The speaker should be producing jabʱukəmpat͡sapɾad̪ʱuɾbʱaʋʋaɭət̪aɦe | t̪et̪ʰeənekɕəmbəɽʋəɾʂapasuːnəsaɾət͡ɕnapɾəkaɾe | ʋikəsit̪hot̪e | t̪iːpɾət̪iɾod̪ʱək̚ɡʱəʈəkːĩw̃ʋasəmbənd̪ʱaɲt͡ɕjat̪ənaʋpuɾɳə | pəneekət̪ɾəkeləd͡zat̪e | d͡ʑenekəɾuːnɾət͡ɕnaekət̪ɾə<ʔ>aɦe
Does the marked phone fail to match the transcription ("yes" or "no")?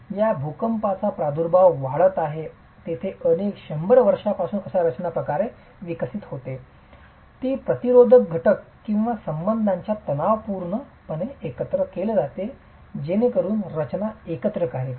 yes